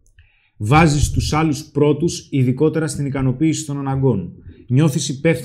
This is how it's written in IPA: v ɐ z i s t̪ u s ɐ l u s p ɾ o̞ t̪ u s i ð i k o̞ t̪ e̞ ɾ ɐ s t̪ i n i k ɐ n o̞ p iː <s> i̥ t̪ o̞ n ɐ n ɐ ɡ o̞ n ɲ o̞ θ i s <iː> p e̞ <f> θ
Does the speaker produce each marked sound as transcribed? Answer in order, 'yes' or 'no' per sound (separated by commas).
yes, no, yes